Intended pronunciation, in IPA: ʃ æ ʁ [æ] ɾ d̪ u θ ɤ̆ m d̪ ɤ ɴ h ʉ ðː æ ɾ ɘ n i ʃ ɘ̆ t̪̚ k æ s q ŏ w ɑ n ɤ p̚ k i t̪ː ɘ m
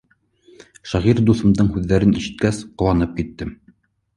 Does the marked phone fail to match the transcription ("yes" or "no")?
yes